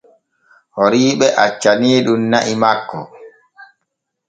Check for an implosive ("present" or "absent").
present